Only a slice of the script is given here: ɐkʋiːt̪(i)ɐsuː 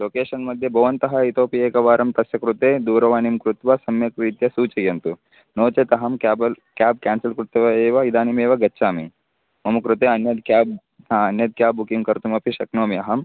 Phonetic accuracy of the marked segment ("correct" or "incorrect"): incorrect